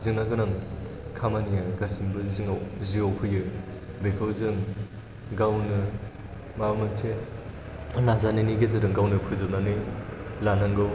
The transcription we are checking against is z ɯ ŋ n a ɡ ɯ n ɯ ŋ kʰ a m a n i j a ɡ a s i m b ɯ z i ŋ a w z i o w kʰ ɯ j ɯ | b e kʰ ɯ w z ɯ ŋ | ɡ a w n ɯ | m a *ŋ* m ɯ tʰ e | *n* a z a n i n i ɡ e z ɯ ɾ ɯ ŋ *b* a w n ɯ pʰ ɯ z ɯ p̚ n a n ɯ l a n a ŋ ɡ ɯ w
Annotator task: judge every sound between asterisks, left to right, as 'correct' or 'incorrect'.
incorrect: none, correct, incorrect: ɡ

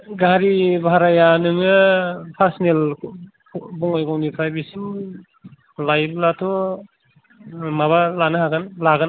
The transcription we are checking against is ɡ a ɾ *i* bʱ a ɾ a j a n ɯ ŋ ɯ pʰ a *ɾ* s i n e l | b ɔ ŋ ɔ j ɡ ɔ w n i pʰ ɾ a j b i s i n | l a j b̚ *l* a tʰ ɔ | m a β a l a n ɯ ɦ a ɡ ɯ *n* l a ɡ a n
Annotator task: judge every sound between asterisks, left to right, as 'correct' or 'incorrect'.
correct, correct, correct, correct

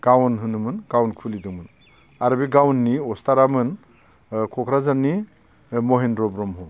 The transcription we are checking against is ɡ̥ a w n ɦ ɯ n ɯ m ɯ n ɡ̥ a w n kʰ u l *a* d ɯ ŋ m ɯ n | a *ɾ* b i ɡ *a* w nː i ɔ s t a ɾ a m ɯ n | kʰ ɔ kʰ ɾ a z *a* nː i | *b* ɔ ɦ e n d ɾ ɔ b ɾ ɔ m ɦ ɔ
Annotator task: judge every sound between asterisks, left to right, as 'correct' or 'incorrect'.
incorrect: i, correct, correct, correct, incorrect: m

